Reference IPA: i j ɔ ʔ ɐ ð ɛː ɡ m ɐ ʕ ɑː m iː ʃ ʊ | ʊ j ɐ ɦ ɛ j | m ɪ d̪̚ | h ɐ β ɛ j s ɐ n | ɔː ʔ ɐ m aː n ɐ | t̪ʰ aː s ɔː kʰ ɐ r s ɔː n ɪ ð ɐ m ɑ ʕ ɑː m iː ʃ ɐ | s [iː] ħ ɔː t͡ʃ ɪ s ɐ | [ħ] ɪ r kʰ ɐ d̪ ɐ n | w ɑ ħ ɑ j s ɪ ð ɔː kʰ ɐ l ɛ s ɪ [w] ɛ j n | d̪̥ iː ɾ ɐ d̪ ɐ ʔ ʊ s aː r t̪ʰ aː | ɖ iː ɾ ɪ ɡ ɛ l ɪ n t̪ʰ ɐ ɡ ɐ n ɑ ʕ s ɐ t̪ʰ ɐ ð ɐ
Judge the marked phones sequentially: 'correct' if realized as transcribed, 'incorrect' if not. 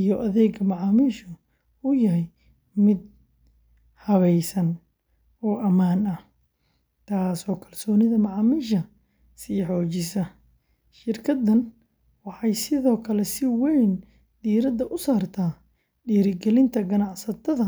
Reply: correct, incorrect, correct

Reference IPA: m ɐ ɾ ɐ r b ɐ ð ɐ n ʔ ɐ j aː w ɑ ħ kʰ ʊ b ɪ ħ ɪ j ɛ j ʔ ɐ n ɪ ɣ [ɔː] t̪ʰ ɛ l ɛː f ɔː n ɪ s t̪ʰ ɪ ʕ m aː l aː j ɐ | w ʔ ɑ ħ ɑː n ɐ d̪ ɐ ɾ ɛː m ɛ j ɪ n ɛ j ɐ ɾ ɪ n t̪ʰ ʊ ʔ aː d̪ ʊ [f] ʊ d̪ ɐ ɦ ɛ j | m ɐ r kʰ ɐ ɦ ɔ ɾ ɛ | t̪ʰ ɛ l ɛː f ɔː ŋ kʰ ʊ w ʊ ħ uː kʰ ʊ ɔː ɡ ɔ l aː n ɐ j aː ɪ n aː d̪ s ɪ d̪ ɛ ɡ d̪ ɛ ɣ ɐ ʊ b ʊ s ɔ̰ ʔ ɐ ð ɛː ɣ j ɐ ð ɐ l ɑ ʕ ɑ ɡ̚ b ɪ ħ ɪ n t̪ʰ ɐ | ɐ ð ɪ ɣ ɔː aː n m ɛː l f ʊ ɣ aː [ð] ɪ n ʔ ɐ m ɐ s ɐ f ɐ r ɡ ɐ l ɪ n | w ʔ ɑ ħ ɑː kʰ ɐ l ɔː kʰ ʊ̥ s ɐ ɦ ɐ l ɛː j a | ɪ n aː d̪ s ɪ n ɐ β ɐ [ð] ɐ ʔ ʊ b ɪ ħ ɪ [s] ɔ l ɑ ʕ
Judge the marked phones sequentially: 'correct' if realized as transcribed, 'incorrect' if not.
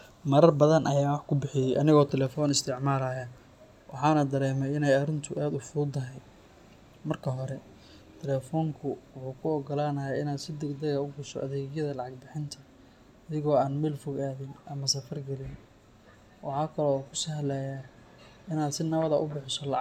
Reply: correct, correct, correct, correct, correct

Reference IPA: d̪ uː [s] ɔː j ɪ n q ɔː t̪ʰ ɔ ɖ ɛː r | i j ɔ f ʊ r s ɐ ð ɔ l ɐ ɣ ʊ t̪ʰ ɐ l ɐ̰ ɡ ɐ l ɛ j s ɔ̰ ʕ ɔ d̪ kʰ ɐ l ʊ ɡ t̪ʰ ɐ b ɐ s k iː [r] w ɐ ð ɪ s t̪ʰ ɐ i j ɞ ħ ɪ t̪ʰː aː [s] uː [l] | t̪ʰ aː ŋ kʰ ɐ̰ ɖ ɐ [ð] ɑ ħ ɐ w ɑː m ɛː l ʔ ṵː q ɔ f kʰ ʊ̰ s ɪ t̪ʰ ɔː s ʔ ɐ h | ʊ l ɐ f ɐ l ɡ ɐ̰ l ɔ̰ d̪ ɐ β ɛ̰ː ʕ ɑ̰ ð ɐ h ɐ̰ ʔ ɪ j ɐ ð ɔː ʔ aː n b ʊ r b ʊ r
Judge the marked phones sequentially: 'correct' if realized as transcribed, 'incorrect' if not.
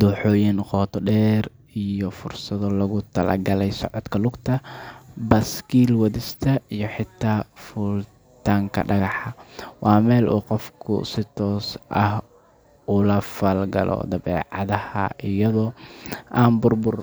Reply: incorrect, incorrect, incorrect, correct, incorrect

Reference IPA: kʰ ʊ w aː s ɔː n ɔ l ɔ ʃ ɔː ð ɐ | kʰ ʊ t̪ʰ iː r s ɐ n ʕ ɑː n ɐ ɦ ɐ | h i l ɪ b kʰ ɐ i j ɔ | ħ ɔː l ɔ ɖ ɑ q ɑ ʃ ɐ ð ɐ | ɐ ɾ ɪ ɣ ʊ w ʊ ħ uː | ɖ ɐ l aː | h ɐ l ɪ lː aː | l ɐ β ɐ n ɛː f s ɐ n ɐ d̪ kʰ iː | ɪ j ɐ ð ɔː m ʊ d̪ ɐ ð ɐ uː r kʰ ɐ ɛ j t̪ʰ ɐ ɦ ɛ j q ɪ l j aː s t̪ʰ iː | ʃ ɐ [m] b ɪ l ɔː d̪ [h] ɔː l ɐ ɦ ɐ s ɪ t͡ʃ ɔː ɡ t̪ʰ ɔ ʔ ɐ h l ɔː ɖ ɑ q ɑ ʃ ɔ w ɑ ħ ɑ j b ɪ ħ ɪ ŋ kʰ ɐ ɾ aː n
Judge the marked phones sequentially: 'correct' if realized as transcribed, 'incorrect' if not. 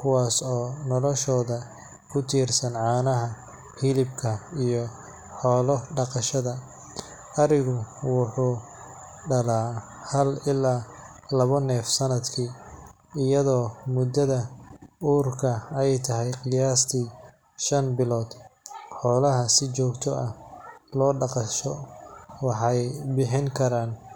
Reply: incorrect, incorrect

